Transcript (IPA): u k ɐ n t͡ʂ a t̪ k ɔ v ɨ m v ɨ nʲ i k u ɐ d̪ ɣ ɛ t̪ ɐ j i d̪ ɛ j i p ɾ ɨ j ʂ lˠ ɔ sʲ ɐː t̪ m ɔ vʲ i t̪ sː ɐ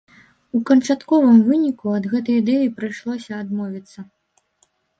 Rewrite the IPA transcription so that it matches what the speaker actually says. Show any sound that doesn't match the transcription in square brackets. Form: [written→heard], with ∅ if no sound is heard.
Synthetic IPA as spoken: u k ɐ n t͡ʂ a t̪ k ɔ v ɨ m v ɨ nʲ i k u ɐ d̪ ɣ ɛ t̪ ɐ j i d̪ ɛ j i p ɾ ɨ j ʂ lˠ ɔ sʲ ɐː [t̪→d̪] m ɔ vʲ i t̪ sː ɐ